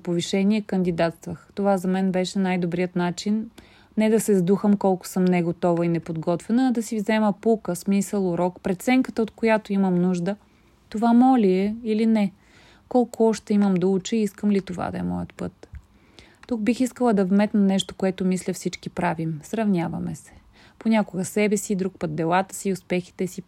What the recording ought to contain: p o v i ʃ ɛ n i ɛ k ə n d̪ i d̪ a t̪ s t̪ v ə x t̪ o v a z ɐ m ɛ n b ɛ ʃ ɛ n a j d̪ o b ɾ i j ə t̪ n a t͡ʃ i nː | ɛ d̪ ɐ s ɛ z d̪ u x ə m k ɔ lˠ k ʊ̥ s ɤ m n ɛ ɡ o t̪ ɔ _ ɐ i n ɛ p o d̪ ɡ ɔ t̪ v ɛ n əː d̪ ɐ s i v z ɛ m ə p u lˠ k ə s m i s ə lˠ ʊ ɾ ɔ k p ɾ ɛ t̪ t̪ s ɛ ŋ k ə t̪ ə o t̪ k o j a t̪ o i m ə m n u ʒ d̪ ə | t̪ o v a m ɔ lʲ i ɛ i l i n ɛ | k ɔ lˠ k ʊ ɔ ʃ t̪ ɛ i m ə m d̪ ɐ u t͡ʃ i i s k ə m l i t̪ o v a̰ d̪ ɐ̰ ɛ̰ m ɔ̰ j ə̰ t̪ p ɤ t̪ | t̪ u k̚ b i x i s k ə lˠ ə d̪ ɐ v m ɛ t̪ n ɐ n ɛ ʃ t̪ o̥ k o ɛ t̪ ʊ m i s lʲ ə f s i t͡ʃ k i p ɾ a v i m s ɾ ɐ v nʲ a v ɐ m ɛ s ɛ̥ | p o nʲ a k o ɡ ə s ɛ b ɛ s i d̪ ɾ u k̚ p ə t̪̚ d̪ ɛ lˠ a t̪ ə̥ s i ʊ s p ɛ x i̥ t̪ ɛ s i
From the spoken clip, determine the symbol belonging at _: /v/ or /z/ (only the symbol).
v